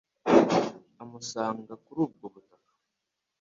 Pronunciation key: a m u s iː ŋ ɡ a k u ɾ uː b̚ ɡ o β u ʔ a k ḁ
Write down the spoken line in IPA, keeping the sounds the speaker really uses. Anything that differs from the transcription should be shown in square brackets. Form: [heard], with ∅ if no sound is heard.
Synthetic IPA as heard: a m u s [aː] ŋ ɡ a k u ɾ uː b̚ ɡ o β u [t] a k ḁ